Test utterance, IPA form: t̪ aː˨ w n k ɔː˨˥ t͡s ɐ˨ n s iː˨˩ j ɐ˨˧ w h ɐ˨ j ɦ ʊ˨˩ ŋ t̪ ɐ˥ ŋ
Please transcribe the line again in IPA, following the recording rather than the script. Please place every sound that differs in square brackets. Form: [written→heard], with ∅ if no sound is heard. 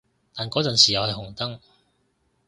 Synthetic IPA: t̪ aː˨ [w→∅] n k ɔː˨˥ t͡s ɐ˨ n s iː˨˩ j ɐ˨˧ w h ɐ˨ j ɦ ʊ˨˩ ŋ t̪ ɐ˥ ŋ

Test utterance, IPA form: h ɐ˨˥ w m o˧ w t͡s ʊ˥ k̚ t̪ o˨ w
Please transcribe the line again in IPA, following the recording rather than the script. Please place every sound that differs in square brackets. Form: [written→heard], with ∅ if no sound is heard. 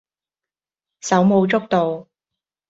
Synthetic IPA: [h→s] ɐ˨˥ w m o˧ w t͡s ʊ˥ k̚ t̪ o˨ w

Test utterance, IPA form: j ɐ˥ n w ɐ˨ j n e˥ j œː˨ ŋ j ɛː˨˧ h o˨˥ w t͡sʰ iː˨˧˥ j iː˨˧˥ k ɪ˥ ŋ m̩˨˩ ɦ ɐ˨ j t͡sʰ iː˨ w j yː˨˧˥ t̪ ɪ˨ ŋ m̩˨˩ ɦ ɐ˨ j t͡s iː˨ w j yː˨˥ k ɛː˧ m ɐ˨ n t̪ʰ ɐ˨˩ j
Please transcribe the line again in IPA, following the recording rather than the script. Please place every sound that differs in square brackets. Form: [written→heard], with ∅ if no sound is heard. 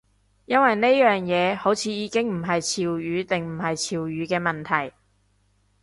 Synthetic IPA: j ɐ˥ n w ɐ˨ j n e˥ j œː˨ ŋ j ɛː˨˧ h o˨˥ w t͡sʰ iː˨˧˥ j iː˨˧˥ k ɪ˥ ŋ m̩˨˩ ɦ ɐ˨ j t͡sʰ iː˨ w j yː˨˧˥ t̪ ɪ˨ ŋ m̩˨˩ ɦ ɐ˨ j [t͡s→t͡sʰ] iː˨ w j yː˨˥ k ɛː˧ m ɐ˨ n t̪ʰ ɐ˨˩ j

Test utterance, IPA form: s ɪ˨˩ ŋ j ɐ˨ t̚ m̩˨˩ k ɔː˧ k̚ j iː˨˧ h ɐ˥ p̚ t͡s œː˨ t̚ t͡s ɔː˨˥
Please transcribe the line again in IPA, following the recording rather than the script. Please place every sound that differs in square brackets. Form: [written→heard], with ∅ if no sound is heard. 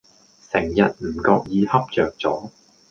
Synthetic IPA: s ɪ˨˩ ŋ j ɐ˨ t̚ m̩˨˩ k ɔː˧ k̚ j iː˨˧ h ɐ˥ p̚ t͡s œː˨ [t̚→k̚] t͡s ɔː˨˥

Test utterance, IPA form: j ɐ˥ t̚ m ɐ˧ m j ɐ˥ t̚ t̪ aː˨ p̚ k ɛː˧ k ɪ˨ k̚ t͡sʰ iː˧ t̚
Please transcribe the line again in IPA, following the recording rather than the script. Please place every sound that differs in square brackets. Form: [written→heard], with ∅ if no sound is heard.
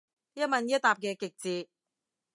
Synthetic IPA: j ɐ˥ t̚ m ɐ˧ [m→n] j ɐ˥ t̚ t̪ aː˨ p̚ k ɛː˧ k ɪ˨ k̚ [t͡sʰ→t͡s] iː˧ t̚

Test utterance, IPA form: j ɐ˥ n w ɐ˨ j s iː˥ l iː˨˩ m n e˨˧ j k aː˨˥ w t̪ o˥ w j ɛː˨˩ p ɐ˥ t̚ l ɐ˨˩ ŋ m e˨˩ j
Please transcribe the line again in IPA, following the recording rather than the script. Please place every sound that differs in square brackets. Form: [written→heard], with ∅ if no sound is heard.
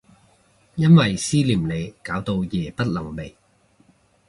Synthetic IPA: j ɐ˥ n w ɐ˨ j s iː˥ l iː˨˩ m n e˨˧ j k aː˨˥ w t̪ [o˥→o˧] w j ɛː˨˩ p ɐ˥ t̚ l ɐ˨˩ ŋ m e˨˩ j

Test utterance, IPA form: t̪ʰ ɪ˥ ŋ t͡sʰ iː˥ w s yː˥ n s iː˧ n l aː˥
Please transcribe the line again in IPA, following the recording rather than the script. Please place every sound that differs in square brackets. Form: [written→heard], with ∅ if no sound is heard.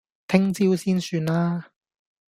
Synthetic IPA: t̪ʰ ɪ˥ ŋ [t͡sʰ→t͡s] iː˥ w s [yː˥→iː˥] n s [iː˧→yː˧] n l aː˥

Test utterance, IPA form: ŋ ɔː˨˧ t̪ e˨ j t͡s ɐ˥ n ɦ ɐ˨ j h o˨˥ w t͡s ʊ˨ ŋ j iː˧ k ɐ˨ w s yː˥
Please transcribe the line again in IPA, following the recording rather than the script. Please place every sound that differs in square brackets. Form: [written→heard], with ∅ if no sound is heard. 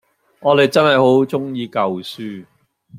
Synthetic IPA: ŋ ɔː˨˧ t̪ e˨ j t͡s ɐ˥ n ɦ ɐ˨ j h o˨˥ w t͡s [ʊ˨→ʊ˥] ŋ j iː˧ k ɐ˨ w s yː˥

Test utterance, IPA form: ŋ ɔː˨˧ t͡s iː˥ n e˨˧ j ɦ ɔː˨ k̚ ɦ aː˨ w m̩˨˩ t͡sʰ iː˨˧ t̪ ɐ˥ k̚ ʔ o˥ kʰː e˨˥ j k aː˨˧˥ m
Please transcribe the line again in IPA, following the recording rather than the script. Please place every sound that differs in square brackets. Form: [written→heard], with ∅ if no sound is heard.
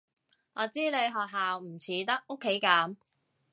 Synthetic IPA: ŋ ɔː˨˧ t͡s iː˥ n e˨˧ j ɦ ɔː˨ k̚ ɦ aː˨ w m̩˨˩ t͡sʰ iː˨˧ t̪ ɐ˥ k̚ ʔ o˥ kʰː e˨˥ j k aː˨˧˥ m

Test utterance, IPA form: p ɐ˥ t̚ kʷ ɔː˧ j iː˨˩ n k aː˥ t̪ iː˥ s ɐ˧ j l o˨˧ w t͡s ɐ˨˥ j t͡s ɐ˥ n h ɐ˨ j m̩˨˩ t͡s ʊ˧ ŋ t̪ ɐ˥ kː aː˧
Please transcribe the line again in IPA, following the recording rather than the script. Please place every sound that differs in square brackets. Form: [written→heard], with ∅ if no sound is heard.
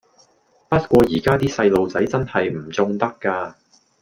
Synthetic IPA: p ɐ˥ t̚ kʷ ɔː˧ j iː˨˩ [n→∅] k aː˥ t̪ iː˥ s ɐ˧ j l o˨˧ w t͡s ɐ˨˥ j t͡s ɐ˥ n h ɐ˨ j m̩˨˩ t͡s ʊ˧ ŋ t̪ ɐ˥ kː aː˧

